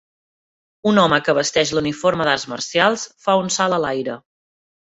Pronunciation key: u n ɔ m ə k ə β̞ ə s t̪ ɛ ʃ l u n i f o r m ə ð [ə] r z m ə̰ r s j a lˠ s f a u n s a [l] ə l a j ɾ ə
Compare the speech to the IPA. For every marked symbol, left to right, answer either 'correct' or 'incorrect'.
incorrect: a, correct

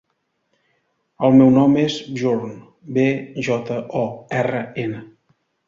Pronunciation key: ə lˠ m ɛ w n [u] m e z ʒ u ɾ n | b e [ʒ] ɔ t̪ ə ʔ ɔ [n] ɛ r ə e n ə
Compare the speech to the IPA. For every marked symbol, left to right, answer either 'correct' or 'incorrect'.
incorrect: ɔ, correct, incorrect: none

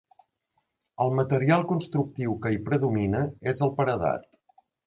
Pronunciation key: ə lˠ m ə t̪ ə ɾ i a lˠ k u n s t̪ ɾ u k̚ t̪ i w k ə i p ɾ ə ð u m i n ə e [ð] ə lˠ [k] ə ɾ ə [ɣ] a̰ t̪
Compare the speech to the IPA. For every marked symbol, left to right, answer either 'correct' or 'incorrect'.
incorrect: z, incorrect: p, incorrect: ð

